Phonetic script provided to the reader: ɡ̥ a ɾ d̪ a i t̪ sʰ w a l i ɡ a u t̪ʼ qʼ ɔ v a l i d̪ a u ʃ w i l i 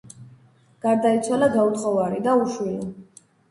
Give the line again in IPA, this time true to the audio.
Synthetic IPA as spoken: ɡ̥ a ɾ d̪ a i t̪ sʰ w a l a ɡ a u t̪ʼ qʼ ɔ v a ɾ i d̪ a u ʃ w i l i